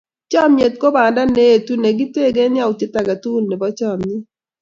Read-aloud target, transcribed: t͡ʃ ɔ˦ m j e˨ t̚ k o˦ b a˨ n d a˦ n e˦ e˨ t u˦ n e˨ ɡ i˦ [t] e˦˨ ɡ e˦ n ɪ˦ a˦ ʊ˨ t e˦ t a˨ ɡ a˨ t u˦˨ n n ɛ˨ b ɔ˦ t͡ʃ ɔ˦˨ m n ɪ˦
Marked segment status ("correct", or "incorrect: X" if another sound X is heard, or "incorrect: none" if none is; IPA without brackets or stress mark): correct